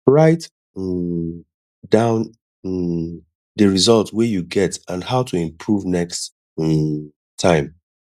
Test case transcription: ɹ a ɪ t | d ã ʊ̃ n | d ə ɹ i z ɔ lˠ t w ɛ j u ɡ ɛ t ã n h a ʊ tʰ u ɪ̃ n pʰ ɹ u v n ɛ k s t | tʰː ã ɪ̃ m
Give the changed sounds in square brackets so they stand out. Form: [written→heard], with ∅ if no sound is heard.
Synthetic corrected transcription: ɹ a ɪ t | d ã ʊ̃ n | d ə ɹ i z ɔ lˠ t w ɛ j u ɡ ɛ t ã n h a ʊ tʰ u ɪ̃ [n→m] pʰ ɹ u v n ɛ k s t | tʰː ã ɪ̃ m